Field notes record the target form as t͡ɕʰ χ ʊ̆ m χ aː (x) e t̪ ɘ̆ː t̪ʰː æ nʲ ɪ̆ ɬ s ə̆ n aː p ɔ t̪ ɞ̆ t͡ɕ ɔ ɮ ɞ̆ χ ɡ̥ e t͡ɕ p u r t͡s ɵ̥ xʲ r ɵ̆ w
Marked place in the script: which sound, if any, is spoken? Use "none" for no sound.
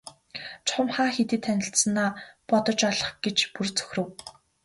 x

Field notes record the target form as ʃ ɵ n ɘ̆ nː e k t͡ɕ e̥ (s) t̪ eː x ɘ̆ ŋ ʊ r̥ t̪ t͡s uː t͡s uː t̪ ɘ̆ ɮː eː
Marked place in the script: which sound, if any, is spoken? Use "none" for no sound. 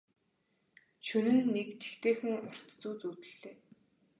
x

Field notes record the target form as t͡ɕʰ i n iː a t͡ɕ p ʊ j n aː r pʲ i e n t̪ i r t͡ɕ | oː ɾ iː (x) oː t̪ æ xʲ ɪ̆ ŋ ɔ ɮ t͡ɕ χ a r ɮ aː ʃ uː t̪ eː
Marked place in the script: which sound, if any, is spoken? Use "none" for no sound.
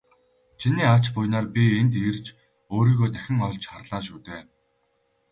ɣ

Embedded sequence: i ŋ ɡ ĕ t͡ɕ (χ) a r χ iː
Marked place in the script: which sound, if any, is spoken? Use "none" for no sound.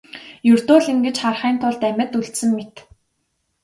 χ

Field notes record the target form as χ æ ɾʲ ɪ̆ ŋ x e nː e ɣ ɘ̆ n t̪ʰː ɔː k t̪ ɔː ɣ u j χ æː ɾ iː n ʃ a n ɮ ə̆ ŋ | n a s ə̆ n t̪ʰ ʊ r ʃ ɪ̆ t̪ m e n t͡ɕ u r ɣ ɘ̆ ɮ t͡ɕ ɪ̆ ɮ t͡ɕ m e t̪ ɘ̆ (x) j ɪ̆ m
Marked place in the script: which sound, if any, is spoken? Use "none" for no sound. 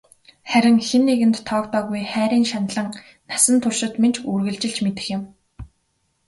x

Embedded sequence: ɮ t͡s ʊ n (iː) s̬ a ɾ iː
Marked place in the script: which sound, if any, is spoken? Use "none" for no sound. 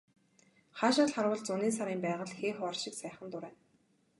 iː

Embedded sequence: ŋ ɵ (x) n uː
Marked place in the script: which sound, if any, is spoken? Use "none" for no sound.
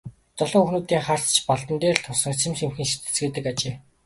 x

